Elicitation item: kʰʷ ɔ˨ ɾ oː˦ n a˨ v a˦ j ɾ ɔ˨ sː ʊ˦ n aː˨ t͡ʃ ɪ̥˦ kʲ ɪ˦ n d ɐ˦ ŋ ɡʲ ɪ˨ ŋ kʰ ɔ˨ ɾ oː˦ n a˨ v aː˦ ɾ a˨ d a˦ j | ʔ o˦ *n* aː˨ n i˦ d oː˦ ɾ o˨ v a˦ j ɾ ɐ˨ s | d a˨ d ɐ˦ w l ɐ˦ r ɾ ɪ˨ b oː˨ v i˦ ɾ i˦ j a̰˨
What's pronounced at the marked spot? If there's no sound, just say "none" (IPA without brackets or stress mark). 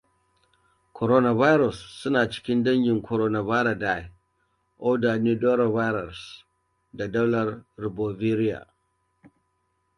d